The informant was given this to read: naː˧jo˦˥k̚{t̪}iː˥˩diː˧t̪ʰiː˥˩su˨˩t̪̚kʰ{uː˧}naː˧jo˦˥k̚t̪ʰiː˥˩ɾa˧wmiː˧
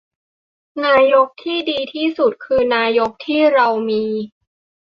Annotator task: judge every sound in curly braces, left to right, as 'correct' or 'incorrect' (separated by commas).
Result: incorrect, incorrect